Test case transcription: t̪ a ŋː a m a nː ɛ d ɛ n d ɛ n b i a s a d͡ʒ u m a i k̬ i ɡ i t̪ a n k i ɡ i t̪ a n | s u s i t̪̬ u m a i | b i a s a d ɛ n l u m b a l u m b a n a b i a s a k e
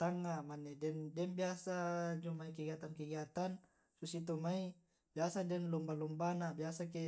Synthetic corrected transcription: t̪ a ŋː a m a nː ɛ d ɛ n d ɛ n b i a s a d͡ʒ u m a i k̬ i ɡ a t̪ a n k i ɡ a t̪ a n | s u s i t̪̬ u m a i | b i a s a d ɛ n l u m b a l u m b a n a b i a s a k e

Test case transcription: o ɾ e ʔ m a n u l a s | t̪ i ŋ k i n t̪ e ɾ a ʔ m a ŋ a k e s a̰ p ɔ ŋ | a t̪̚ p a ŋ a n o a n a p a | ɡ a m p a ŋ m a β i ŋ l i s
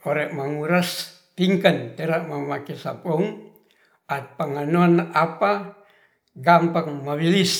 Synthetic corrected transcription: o ɾ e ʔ m a ŋ u ɾ a s | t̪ i ŋ k a n t̪ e ɾ a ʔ m a m a k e s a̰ p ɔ ŋ | a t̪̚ p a ŋ a n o a n a p a | ɡ a m p a ŋ m a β i l i s

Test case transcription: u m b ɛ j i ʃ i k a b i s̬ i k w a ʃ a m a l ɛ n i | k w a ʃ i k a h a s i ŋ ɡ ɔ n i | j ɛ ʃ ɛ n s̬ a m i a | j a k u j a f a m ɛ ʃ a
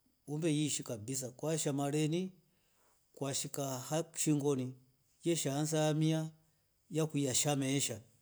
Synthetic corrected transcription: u m b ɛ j i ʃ i k a b i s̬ a k w a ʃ a m a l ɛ n i | k w a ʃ i k a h a ʃ i ŋ ɡ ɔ n i | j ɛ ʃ a n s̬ a m i a | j a k u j a ʃ a m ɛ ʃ a

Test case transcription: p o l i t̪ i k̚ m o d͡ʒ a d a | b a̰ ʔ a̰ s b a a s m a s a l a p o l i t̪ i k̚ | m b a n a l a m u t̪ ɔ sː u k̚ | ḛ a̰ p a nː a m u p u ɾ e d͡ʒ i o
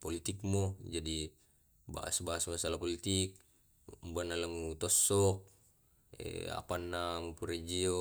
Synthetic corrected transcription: p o l i t̪ i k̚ m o d͡ʒ a d i | b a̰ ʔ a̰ s b a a s m a s a l a p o l i t̪ i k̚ | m b a n a l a m u t̪ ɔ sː ɔ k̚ | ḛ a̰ p a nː a m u p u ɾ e d͡ʒ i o

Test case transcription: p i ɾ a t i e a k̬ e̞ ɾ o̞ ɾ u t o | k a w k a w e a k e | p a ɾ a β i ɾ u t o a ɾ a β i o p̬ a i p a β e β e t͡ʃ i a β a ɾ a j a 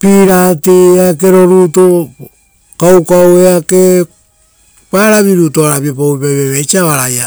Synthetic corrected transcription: p i ɾ a t i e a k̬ e̞ ɾ o̞ ɾ u t o | k a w k a w e a k e | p a ɾ a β i ɾ u t o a ɾ a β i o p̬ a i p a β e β e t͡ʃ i a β a ɾ a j a

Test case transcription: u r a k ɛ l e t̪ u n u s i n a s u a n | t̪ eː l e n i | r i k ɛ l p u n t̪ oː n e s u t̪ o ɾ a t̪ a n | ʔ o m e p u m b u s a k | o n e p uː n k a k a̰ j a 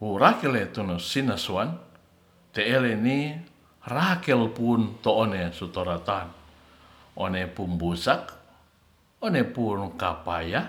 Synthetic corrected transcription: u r a k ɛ l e t̪ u n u s i n a s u a n | t̪ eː l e n i | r a k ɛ l p u n t̪ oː n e s u t̪ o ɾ a t̪ a n | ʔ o n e p u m b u s a k | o n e p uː n k a p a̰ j a

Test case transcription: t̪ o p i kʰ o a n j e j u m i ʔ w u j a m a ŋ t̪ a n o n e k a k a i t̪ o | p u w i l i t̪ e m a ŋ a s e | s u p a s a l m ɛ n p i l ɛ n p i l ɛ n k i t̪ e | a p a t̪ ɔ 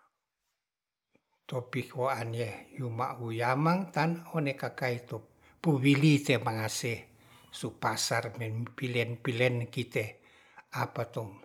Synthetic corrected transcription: t̪ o p i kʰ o a n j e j u m a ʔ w u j a m a ŋ t̪ a n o n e k a k a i t̪ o | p u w i l i t̪ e m a ŋ a s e | s u p a s a r m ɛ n p i l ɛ n p i l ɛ n k i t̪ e | a p a t̪ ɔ

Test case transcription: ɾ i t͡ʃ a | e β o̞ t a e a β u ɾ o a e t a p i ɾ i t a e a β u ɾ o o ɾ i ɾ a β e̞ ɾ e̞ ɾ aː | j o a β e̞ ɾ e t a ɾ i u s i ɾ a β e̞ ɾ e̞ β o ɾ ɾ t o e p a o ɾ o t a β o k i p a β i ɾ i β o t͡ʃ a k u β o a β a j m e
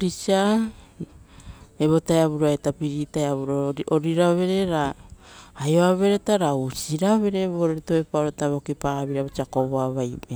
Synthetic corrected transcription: ɾ i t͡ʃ a | e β o̞ t a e a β u ɾ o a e t a p i ɾ i t a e a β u ɾ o o ɾ i ɾ a β e̞ ɾ e̞ ɾ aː | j o a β e̞ ɾ e t a ɾ a u s i ɾ a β e̞ ɾ e̞ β o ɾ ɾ t o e p a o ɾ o t a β o k i p a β i ɾ a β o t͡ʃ a k o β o a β a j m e

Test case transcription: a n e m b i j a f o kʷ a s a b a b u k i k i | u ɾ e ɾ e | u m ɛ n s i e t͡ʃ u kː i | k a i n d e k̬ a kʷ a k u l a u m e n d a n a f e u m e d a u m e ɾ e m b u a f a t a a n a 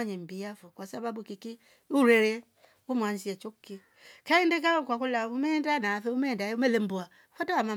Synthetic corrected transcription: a ɲ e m b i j a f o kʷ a s a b a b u k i k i | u ɾ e ɾ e | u m a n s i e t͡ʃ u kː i | k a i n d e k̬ a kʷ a k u l a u m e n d a n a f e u m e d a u m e l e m b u a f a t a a m a

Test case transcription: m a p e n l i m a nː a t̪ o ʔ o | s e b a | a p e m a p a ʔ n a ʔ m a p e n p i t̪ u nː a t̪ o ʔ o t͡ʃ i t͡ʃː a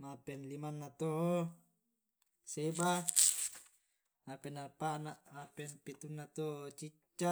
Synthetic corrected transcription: m a p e n l i m a nː a t̪ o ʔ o | s e b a | a p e n a p a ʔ n a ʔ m a p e n p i t̪ u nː a t̪ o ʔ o t͡ʃ i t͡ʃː a

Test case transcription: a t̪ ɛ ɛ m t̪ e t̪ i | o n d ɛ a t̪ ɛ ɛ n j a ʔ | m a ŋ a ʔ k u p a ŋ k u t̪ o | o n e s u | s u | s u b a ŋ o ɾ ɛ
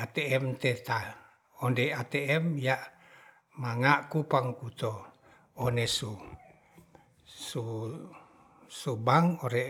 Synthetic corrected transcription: a t̪ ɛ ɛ m t̪ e t̪ a | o n d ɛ a t̪ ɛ ɛ m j a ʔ | m a ŋ a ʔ k u p a ŋ k u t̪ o | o n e s u | s u | s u b a ŋ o ɾ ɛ

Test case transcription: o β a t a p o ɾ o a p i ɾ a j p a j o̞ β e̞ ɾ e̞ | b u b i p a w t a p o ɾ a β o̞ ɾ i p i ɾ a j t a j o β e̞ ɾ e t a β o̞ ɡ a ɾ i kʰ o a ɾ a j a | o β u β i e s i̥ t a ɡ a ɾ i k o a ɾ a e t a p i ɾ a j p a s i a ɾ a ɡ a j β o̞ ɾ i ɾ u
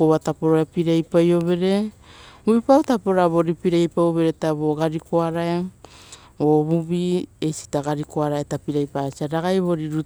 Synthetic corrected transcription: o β a t a p o ɾ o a p i ɾ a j p a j o̞ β e̞ ɾ e̞ | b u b i p a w t a p o ɾ a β o̞ ɾ i p i ɾ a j p a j o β e̞ ɾ e t a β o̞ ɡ a ɾ i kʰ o a ɾ a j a | o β u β i e s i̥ t a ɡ a ɾ i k o a ɾ a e t a p i ɾ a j p a s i a ɾ a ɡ a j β o̞ ɾ i ɾ u

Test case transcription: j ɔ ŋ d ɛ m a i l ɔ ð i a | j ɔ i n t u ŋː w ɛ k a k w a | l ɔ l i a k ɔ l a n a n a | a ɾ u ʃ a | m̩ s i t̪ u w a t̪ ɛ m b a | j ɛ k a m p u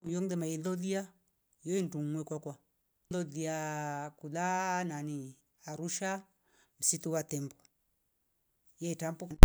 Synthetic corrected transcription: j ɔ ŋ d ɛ m a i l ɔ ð i a | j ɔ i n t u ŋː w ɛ k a k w a | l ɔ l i a k u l a n a n i | a ɾ u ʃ a | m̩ s i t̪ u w a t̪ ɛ m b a | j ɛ t a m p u

